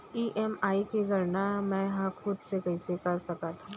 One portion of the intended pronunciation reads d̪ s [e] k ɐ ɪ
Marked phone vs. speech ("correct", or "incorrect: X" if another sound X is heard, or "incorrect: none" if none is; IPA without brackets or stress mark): correct